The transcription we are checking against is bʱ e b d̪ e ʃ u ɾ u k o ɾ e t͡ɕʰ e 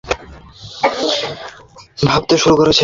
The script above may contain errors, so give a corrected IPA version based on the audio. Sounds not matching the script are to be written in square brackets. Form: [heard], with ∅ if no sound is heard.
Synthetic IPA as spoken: bʱ [a] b [t̪] e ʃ u ɾ u k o ɾ e t͡ɕʰ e